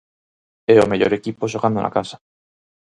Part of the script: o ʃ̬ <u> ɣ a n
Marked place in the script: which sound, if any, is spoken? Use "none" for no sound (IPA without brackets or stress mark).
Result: o